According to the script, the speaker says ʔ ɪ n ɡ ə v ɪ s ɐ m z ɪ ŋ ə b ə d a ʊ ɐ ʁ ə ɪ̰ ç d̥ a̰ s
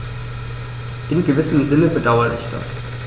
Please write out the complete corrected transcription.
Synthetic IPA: ʔ ɪ n ɡ ə v ɪ s ə m z ɪ n ə b ə d a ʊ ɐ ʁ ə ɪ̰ ç d̥ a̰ s